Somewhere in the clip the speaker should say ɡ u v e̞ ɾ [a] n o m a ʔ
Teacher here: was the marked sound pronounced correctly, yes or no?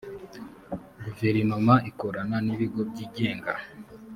no